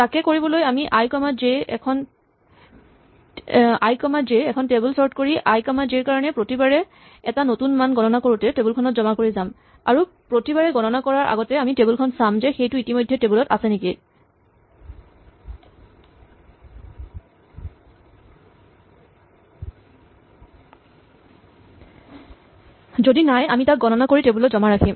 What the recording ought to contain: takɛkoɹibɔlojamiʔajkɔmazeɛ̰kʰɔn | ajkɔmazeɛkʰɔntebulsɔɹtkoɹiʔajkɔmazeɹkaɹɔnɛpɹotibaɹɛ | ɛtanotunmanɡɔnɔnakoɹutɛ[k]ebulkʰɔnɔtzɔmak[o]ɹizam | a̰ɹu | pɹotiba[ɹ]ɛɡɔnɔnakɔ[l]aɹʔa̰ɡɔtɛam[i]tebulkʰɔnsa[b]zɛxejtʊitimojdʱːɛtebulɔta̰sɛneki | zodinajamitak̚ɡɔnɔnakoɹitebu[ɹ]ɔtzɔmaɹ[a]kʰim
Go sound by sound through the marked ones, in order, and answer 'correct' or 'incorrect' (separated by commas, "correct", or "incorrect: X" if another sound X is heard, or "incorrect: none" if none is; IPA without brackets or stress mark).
incorrect: t, correct, correct, incorrect: ɹ, correct, incorrect: m, incorrect: l, correct